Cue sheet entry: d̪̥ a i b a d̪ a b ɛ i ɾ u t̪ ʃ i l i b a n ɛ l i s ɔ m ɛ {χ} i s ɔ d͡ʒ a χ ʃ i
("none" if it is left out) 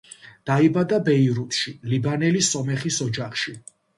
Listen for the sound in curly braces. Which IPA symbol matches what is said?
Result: χ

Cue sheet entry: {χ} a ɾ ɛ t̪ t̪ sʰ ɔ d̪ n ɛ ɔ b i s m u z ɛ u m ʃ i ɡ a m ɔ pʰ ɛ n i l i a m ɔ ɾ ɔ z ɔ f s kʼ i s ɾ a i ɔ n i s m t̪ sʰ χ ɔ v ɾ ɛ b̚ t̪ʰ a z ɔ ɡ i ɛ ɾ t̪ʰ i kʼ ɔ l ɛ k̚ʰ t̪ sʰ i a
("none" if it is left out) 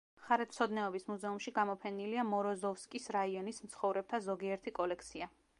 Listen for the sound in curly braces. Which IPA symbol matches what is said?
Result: χ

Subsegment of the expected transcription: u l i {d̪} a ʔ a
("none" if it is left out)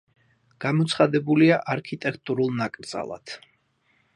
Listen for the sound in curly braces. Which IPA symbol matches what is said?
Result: none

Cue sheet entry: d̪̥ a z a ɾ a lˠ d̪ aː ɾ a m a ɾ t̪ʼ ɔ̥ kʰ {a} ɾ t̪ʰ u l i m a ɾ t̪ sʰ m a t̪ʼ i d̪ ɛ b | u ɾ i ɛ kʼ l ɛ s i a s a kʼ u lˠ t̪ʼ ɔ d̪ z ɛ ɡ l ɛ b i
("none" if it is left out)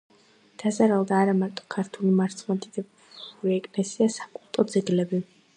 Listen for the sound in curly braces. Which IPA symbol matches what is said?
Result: a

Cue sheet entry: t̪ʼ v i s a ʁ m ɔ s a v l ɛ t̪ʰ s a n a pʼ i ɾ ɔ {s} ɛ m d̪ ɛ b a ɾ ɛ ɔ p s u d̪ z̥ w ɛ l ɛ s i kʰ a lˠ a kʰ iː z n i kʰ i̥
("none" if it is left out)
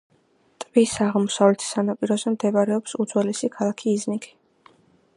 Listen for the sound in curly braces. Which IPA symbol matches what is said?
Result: z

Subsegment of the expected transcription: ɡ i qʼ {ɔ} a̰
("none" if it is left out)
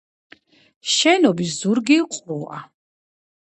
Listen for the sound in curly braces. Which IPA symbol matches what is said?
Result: u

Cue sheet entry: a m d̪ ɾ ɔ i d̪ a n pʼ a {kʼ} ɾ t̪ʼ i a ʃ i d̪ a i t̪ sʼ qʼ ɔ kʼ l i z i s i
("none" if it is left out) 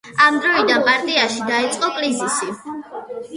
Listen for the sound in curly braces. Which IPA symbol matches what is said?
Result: none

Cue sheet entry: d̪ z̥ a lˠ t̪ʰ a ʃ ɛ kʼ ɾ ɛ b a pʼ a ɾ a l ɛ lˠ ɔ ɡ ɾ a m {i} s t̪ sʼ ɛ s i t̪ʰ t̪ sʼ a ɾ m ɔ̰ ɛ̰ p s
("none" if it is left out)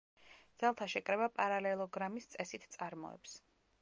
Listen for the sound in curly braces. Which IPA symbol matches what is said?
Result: i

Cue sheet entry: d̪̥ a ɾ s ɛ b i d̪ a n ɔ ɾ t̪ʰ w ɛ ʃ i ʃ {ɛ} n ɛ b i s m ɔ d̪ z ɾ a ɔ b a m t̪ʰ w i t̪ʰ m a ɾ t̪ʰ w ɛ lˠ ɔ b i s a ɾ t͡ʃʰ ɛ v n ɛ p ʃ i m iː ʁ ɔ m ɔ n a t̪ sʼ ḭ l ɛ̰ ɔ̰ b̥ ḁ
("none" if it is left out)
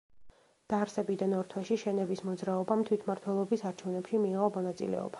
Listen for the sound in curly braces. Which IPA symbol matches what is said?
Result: ɛ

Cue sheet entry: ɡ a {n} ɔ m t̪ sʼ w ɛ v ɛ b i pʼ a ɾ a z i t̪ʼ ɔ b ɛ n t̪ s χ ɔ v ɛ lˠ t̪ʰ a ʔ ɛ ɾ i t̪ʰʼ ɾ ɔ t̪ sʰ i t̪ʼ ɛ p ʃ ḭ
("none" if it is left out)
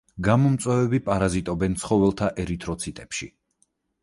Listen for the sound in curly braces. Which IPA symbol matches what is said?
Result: m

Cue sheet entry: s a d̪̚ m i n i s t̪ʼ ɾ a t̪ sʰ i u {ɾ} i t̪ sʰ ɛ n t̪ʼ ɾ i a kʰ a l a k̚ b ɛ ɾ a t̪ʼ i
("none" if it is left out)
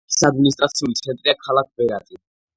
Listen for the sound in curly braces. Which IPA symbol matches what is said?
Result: l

